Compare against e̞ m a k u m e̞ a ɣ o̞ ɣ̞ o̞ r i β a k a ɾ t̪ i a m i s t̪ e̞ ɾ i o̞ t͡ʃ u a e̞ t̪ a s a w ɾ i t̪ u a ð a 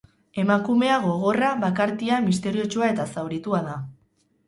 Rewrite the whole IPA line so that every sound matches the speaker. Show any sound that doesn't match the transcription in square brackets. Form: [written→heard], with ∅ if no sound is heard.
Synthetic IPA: e̞ m a k u m e̞ a ɣ o̞ ɣ̞ o̞ r [i→a] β a k a ɾ t̪ i a m i s t̪ e̞ ɾ i o̞ t͡ʃ u a e̞ t̪ a s a w ɾ i t̪ u a ð a

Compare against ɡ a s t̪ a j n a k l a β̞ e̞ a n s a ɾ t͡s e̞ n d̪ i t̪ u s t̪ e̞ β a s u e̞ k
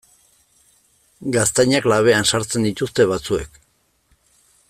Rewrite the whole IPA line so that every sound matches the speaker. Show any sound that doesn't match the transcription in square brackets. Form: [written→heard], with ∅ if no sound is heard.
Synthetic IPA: ɡ a s t̪ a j [n→ɲ] a k l a β̞ e̞ a n s a ɾ t͡s e̞ n d̪ i t̪ u s t̪ e̞ β a [s→t͡s] u e̞ k

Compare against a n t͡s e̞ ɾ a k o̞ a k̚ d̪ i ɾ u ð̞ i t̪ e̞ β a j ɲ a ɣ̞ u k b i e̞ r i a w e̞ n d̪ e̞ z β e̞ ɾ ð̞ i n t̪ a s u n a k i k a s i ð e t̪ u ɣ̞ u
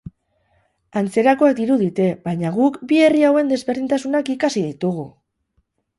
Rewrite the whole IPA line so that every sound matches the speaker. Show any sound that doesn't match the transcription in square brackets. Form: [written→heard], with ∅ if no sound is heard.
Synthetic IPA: a n t͡s e̞ ɾ a k o̞ a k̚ d̪ i ɾ u ð̞ i t̪ e̞ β a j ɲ a ɣ̞ u k b i e̞ r i a w e̞ n d̪ e̞ z β e̞ ɾ ð̞ i n t̪ a s u n a k i k a s i ð [e→i] t̪ u ɣ̞ u

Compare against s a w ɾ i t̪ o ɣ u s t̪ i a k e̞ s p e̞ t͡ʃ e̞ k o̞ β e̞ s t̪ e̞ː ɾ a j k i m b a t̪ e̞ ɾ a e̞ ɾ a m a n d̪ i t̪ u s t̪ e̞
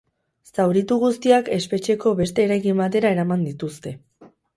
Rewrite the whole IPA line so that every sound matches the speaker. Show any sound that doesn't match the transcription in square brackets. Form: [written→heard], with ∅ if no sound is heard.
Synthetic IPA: s a w ɾ i t̪ [o→u] ɣ u s t̪ i a k e̞ s p e̞ t͡ʃ e̞ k o̞ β e̞ s t̪ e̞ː ɾ a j k i m b a t̪ e̞ ɾ a e̞ ɾ a m a n d̪ i t̪ u s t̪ e̞

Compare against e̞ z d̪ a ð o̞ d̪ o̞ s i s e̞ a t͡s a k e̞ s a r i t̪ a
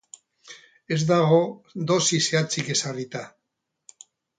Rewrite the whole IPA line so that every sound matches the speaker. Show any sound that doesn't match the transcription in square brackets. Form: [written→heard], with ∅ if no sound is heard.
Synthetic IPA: e̞ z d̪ a [ð→ɣ] o̞ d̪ o̞ s i s e̞ a t͡s [a→i] k e̞ s a r i t̪ a

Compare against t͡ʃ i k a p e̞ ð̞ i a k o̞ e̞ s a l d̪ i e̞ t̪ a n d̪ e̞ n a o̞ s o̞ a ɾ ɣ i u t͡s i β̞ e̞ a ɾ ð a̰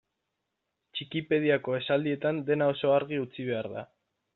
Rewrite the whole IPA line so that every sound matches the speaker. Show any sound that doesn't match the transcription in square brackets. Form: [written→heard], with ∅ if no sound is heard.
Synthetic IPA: t͡ʃ i k [a→i] p e̞ ð̞ i a k o̞ e̞ s a l d̪ i e̞ t̪ a n d̪ e̞ n a o̞ s o̞ a ɾ ɣ i u t͡s i β̞ e̞ a ɾ ð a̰

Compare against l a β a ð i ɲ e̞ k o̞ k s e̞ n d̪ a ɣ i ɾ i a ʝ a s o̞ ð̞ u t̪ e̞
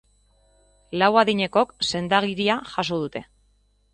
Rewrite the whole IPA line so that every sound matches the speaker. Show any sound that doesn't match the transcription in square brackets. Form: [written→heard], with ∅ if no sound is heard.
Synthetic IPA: l a [β→w] a ð i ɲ e̞ k o̞ k s e̞ n d̪ a ɣ i ɾ i a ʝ a s o̞ ð̞ u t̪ e̞

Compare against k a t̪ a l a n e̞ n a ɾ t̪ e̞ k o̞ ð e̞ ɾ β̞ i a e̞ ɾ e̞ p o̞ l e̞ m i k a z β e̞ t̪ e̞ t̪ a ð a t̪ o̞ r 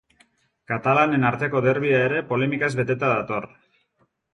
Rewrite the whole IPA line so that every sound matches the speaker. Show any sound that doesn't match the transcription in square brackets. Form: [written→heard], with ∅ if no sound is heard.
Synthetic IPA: k a t̪ a l a n e̞ n a ɾ t̪ e̞ k o̞ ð e̞ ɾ β̞ i a e̞ ɾ e̞ p o̞ l e̞ m i k a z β e̞ t̪ e̞ t̪ a ð a t̪ o̞ r

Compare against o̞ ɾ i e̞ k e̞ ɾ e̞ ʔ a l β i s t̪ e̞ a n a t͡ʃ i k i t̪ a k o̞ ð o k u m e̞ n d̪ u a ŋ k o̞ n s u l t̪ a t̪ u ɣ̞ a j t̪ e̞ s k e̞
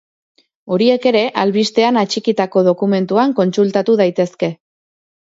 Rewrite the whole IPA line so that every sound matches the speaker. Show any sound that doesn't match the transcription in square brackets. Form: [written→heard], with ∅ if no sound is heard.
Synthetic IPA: o̞ ɾ i e̞ k e̞ ɾ e̞ ʔ a l β i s t̪ e̞ a n a t͡ʃ i k i t̪ a k o̞ ð o k u m e̞ n [d̪→t̪] u a ŋ k o̞ n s u l t̪ a t̪ u [ɣ̞→ð̞] a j t̪ e̞ s k e̞

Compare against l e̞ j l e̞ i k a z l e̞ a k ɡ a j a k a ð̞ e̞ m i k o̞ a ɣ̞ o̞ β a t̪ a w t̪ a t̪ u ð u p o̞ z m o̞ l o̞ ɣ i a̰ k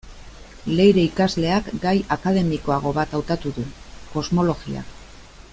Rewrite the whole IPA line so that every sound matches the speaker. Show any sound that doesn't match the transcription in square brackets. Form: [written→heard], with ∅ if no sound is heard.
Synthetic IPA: l e̞ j [l→ɾ] e̞ i k a z l e̞ a k ɡ a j a k a ð̞ e̞ m i k o̞ a ɣ̞ o̞ β a t̪ a w t̪ a t̪ u ð u [p→k] o̞ z m o̞ l o̞ ɣ i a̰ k

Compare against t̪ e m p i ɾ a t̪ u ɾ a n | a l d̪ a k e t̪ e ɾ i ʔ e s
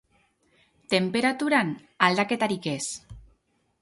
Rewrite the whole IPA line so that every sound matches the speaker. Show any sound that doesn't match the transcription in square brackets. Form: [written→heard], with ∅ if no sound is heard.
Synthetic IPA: t̪ e m p [i→e] ɾ a t̪ u ɾ a n | a l d̪ a k e t̪ [e→a] ɾ i [ʔ→k] e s

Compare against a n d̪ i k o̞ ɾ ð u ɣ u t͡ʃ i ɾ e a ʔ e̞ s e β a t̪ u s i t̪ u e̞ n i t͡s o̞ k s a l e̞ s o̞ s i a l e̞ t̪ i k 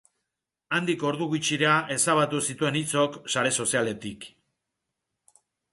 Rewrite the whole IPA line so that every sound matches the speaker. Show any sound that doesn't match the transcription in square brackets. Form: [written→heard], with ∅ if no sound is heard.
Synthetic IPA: a n d̪ i k o̞ ɾ ð u ɣ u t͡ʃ i ɾ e a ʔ e̞ s [e→a] β a t̪ u s i t̪ u e̞ n i t͡s o̞ k s a [l→ɾ] e̞ s o̞ s i a l e̞ t̪ i k

